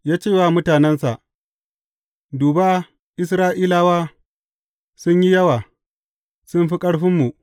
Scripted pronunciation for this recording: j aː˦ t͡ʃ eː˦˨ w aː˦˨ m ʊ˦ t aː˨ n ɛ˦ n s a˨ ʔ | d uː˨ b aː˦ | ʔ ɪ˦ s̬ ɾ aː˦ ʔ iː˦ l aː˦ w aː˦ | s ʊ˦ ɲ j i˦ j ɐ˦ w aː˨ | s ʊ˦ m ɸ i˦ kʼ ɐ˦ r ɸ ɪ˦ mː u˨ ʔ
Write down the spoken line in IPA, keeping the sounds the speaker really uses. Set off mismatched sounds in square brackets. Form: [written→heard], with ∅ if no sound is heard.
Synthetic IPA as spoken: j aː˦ t͡ʃ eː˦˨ w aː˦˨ m ʊ˦ t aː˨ n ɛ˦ n s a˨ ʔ | d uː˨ b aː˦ | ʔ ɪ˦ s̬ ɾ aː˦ ʔ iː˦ l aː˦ w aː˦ | s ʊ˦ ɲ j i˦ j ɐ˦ w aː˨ | s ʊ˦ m ɸ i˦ kʼ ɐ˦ [r→ɽ] ɸ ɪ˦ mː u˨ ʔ